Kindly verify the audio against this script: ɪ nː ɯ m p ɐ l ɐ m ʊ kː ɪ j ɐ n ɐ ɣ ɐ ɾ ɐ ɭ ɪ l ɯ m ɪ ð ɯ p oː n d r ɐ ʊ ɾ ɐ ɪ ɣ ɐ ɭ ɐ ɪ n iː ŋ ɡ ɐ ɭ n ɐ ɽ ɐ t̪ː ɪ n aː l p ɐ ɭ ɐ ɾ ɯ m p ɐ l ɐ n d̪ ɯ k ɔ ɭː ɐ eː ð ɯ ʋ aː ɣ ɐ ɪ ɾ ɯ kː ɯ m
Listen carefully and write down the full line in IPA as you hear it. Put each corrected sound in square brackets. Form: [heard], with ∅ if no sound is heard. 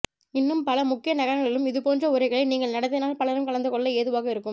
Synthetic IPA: ɪ nː ɯ m p ɐ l ɐ m ʊ kː ɪ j ɐ n ɐ ɣ ɐ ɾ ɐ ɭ ɪ l ɯ m ɪ ð ɯ p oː n d r ɐ ʊ ɾ ɐ ɪ ɣ ɐ ɭ ɐ ɪ n iː ŋ ɡ ɐ ɭ n ɐ ɽ ɐ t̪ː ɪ n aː l p ɐ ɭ ɐ ɾ ɯ m [k] ɐ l ɐ n d̪ ɯ k ɔ ɭː ɐ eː ð ɯ ʋ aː ɣ ɐ ɪ ɾ ɯ kː ɯ m

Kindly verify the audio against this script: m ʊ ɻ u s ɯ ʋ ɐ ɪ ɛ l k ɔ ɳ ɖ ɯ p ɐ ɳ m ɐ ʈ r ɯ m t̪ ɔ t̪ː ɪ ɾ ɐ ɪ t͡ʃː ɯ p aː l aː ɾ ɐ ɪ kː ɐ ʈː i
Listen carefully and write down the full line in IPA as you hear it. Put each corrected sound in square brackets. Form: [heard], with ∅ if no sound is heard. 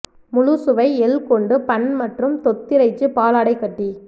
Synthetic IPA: m ʊ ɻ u s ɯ ʋ ɐ ɪ ɛ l k ɔ ɳ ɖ ɯ p ɐ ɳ m ɐ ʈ r ɯ m t̪ ɔ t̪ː ɪ ɾ ɐ ɪ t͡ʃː ɯ p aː l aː [ɽ] ɐ ɪ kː ɐ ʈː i

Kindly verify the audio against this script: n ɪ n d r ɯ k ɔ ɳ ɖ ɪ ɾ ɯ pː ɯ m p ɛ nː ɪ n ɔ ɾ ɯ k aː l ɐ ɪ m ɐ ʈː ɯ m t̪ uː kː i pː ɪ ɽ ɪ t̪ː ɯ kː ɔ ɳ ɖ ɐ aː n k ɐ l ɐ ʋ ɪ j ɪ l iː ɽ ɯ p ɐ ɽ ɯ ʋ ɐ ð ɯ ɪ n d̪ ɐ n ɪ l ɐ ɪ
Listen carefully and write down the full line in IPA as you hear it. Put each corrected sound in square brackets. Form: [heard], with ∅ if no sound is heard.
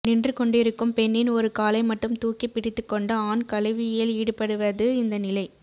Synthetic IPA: n ɪ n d r ɯ k ɔ ɳ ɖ ɪ ɾ ɯ [kː] ɯ m p ɛ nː ɪ n ɔ ɾ ɯ k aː l ɐ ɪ m ɐ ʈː ɯ m t̪ uː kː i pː ɪ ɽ ɪ t̪ː ɯ kː ɔ ɳ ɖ ɐ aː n k ɐ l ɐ ʋ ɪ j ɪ l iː ɽ ɯ p ɐ ɽ ɯ ʋ ɐ ð ɯ ɪ n d̪ ɐ n ɪ l ɐ ɪ

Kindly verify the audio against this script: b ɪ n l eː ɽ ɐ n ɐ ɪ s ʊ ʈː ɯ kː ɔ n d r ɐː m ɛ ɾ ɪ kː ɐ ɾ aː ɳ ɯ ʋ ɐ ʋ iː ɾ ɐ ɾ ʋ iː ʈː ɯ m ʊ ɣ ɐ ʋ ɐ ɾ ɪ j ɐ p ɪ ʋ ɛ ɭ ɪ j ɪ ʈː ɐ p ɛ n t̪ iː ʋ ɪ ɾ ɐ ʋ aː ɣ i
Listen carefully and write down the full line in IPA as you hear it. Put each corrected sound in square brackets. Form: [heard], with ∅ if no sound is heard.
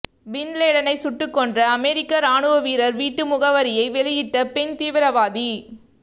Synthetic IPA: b ɪ n l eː ɽ ɐ n ɐ ɪ s ʊ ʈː ɯ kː ɔ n d r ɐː m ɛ ɾ ɪ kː ɐ ɾ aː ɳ ɯ ʋ ɐ ʋ iː ɾ ɐ ɾ ʋ iː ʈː ɯ m ʊ ɣ ɐ ʋ ɐ ɾ ɪ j ɐ [∅] ɪ ʋ ɛ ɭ ɪ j ɪ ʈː ɐ p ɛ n t̪ iː ʋ ɪ ɾ ɐ ʋ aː [ð] i

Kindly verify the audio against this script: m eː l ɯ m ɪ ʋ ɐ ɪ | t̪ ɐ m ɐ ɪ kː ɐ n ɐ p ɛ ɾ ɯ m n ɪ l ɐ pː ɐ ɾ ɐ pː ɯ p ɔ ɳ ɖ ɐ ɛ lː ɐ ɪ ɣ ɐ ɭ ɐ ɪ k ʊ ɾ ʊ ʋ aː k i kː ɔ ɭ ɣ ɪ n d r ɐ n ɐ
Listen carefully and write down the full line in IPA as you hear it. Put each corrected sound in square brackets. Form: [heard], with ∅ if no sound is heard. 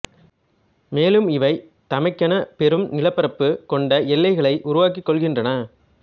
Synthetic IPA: m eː l ɯ m ɪ ʋ ɐ ɪ | t̪ ɐ m ɐ ɪ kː ɐ n ɐ p ɛ ɾ ɯ m n ɪ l ɐ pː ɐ ɾ ɐ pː ɯ [k] ɔ ɳ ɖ ɐ ɛ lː ɐ ɪ ɣ ɐ ɭ ɐ ɪ [ʔ] ʊ ɾ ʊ ʋ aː k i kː ɔ ɭ ɣ ɪ n d r ɐ n ɐ

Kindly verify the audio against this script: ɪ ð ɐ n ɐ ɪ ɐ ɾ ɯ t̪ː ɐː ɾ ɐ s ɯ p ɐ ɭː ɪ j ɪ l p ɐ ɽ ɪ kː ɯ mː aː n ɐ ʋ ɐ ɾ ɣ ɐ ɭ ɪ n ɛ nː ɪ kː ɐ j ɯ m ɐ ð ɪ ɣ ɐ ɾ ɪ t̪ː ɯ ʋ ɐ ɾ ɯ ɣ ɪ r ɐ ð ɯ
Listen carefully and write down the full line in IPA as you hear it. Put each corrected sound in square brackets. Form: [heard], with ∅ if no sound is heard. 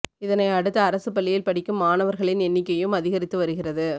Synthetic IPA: ɪ ð ɐ n ɐ ɪ ɐ [ɽ] ɯ t̪ː ɐː ɾ ɐ s ɯ p ɐ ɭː ɪ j ɪ l p ɐ ɽ ɪ kː ɯ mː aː n ɐ ʋ ɐ ɾ ɣ ɐ ɭ ɪ n ɛ nː ɪ kː ɐ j ɯ m ɐ ð ɪ ɣ ɐ ɾ ɪ t̪ː ɯ ʋ ɐ ɾ ɯ ɣ ɪ r ɐ ð ɯ

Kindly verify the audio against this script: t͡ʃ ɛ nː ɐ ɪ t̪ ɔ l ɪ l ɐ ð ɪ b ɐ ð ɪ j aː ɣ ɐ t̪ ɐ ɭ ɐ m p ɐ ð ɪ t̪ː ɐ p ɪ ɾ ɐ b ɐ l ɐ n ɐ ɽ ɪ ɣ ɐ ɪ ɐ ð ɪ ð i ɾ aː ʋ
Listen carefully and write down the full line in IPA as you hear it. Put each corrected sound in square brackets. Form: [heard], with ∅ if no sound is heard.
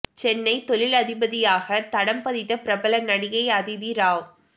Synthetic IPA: t͡ʃ ɛ nː ɐ ɪ t̪ ɔ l ɪ l ɐ ð ɪ b ɐ ð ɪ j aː ɣ ɐ t̪ ɐ [ɽ] ɐ m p ɐ ð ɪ t̪ː ɐ p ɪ ɾ ɐ b ɐ l ɐ n ɐ ɽ ɪ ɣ ɐ ɪ ɐ ð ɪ ð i ɾ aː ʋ

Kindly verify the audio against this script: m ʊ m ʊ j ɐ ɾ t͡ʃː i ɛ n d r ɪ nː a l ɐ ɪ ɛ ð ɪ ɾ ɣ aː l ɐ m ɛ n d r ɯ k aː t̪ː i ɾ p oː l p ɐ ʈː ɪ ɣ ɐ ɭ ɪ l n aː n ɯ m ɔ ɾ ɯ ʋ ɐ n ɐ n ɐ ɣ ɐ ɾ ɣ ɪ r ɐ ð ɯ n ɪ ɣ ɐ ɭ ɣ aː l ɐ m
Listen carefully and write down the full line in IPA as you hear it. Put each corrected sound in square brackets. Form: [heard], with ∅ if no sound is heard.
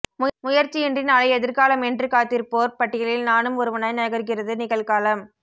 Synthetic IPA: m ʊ m ʊ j ɐ ɾ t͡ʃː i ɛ n d r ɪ [n] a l ɐ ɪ ɛ ð ɪ ɾ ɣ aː l ɐ m ɛ n d r ɯ k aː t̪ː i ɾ p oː [ɾ] p ɐ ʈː ɪ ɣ ɐ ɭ ɪ l n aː n ɯ m ɔ ɾ ɯ ʋ ɐ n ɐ n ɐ ɣ ɐ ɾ ɣ ɪ r ɐ ð ɯ n ɪ ɣ ɐ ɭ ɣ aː l ɐ m

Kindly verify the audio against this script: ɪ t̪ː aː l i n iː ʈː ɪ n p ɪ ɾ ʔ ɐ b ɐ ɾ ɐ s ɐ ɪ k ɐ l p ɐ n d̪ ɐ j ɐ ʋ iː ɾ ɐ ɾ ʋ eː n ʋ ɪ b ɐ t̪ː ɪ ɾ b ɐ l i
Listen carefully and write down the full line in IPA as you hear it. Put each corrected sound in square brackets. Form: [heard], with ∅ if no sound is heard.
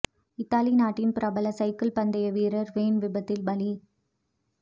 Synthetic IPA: ɪ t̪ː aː l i n [aː] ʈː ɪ n p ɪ ɾ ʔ ɐ b ɐ [l] ɐ s ɐ ɪ k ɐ l p ɐ n d̪ ɐ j ɐ ʋ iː ɾ ɐ ɾ ʋ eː n ʋ ɪ b ɐ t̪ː ɪ [l] b ɐ l i

